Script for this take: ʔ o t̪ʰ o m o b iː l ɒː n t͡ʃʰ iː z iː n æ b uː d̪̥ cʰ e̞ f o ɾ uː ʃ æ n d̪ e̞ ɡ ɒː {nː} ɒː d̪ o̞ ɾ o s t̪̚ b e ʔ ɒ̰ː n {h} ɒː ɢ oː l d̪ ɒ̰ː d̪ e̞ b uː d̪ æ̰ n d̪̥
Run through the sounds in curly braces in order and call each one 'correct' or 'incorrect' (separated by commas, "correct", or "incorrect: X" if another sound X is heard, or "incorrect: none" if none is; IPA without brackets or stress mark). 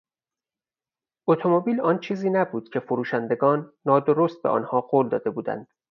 correct, correct